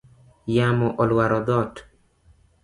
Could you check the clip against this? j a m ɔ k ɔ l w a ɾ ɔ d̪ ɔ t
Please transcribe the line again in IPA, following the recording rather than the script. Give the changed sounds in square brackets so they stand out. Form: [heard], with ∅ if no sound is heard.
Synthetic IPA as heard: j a m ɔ [ʔ] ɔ l w a ɾ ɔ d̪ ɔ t